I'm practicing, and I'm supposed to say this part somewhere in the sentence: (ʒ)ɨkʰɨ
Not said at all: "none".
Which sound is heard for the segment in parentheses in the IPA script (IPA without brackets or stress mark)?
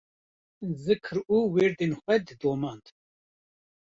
z